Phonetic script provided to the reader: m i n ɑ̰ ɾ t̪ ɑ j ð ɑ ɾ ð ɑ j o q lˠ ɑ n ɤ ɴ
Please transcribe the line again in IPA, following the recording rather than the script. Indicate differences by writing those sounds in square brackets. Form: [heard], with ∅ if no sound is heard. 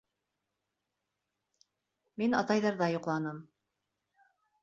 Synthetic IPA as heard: m i n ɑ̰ [∅] t̪ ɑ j ð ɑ ɾ ð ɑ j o q lˠ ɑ n ɤ [m]